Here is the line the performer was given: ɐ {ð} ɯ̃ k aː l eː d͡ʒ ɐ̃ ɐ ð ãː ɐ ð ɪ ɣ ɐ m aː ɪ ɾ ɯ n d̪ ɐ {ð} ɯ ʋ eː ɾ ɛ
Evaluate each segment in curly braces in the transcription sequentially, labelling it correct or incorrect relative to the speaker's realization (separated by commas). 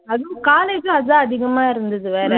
correct, correct